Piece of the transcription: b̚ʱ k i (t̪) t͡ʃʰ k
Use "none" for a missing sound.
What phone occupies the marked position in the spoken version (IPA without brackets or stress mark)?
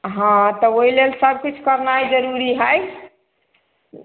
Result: none